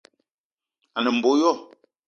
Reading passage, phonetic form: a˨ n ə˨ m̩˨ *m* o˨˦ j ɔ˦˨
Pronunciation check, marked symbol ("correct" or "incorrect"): incorrect